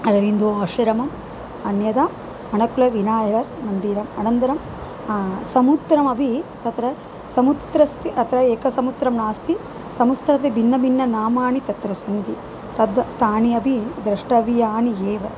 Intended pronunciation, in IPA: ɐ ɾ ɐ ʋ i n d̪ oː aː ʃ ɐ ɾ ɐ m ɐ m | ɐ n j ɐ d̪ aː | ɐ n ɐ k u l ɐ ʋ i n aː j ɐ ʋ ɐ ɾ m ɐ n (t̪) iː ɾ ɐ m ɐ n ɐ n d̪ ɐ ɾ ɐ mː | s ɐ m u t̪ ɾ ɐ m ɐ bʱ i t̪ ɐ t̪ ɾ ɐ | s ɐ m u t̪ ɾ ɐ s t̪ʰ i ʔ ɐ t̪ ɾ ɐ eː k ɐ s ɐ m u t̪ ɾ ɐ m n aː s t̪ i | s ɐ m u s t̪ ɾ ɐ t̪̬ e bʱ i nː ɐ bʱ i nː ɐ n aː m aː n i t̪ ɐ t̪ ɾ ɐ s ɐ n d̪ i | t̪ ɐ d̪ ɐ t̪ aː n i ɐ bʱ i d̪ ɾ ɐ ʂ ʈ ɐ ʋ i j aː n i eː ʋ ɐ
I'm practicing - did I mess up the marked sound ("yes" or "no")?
yes